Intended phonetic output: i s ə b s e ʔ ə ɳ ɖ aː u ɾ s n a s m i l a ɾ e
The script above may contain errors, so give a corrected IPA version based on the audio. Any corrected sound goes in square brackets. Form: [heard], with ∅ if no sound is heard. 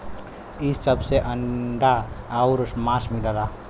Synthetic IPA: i s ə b s e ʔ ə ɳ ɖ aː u ɾ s [m] a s m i l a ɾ [a]